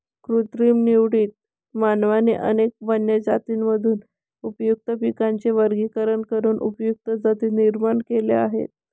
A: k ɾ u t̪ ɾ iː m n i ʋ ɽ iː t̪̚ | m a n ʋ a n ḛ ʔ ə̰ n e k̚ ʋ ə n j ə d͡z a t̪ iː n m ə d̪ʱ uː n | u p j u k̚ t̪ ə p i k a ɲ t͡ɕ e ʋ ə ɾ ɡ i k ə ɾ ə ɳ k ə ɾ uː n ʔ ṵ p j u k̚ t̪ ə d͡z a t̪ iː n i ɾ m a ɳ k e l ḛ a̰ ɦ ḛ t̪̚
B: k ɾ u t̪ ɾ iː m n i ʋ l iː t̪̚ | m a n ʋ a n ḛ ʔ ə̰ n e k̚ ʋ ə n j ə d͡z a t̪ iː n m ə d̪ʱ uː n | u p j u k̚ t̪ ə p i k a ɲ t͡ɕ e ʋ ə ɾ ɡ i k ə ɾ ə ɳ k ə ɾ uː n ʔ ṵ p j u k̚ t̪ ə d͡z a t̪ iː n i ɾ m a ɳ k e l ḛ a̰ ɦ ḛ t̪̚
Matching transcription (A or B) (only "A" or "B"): A